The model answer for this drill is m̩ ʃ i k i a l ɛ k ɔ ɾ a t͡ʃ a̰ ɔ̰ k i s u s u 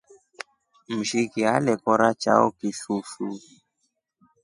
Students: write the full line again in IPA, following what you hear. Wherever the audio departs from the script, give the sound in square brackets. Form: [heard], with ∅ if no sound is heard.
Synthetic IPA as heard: m̩ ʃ i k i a l ɛ k ɔ ɾ a t͡ʃ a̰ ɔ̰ k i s u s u